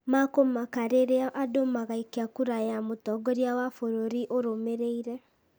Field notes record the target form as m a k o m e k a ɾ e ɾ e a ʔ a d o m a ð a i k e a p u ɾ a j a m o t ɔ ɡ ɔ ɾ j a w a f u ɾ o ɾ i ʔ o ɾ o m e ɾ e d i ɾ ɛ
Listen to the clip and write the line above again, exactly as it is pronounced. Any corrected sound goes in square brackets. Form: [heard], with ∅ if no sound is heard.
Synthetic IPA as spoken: m a k o m [a] k a ɾ e ɾ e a ʔ a d o m a [ɣ] a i k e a [k] u ɾ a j a m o t ɔ ɡ ɔ ɾ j a w a f [o] ɾ o ɾ i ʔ o ɾ o m e ɾ e [∅] i ɾ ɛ